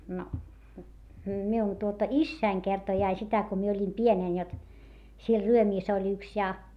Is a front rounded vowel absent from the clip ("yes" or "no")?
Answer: no